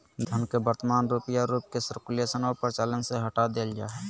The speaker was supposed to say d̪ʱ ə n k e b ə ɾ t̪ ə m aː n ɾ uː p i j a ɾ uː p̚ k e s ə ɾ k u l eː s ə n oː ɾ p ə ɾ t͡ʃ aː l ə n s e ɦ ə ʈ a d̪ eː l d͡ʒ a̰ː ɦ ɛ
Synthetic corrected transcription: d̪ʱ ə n k e b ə ɾ t̪ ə m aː n ɾ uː p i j a ɾ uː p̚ k e s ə ɾ k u l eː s ə n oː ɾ p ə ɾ t͡ʃ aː l ə n s e ɦ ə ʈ a d̪ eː l d͡ʒ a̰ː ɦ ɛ